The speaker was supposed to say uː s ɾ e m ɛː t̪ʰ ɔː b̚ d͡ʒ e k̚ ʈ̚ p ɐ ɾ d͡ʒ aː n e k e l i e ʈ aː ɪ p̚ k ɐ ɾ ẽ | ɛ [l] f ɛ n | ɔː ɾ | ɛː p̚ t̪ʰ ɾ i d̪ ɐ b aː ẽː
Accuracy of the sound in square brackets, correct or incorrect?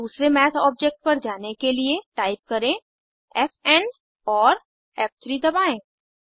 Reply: incorrect